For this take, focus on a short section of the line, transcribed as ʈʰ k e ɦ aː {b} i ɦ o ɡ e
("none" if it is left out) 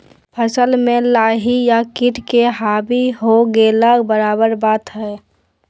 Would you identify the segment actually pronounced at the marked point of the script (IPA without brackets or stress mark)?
b